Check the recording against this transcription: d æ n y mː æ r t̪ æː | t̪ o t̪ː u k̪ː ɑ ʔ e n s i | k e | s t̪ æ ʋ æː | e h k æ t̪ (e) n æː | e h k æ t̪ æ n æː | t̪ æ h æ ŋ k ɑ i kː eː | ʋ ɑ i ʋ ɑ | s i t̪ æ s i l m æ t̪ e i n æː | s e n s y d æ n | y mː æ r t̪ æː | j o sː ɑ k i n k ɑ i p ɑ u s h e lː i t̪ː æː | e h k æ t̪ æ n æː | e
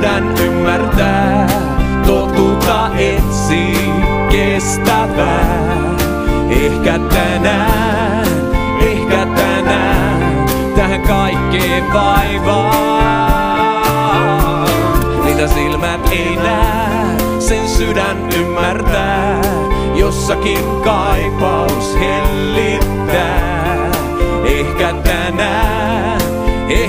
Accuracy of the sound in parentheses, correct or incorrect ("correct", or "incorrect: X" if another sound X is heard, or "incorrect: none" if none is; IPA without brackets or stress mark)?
incorrect: æ